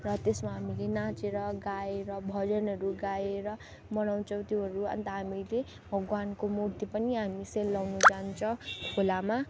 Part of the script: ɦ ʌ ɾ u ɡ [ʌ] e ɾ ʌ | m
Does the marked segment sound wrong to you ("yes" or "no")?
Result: yes